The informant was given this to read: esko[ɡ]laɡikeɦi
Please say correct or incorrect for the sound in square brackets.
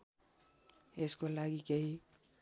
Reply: incorrect